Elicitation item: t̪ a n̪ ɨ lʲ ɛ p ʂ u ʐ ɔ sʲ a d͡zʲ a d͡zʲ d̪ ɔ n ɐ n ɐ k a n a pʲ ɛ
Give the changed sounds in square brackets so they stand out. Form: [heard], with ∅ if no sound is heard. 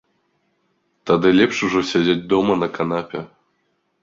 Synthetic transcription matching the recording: t̪ a [d̪] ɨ lʲ ɛ p ʂ u ʐ ɔ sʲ a d͡zʲ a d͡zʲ d̪ ɔ [m] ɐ n ɐ k a n a pʲ ɛ